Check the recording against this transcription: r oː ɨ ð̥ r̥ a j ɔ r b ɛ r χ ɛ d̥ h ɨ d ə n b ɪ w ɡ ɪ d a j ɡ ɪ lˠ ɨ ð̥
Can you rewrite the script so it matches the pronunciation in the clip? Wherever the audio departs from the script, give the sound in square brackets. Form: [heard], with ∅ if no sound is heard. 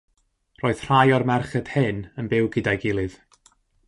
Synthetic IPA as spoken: r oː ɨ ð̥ r̥ a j ɔ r [m] ɛ r χ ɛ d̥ h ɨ [n] ə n b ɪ w ɡ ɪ d a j ɡ ɪ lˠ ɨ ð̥